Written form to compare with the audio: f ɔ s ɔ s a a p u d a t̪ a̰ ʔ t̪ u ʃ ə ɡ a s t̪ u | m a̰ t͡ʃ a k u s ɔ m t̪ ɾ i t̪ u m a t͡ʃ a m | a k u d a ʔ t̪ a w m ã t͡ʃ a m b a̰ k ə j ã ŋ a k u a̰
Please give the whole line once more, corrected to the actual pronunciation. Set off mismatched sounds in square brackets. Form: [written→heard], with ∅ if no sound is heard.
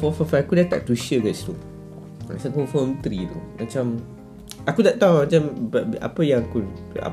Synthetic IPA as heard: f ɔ [s→f] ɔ [s→f] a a [p→k] u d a t̪ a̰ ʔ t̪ u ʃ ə ɡ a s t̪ u | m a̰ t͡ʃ a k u [s→f] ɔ m t̪ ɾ i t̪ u m a t͡ʃ a m | a k u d a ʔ t̪ a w m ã t͡ʃ a m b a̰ [k→p] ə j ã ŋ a k u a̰